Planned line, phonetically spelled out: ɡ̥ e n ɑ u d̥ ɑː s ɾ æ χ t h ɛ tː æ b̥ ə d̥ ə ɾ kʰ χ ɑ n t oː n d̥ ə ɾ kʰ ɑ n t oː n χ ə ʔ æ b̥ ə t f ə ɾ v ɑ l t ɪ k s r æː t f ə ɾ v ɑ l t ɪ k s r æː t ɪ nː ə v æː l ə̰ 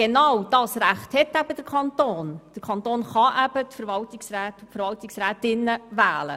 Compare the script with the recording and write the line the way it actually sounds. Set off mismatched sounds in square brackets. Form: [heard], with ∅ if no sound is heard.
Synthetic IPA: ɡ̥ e n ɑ [w] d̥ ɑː s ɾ æ χ t h ɛ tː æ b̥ ə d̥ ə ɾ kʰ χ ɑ n t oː n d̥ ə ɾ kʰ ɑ n t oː n χ [ɑ] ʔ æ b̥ ə t f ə ɾ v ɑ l t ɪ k s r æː t f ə ɾ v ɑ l t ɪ k s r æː t ɪ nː ə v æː l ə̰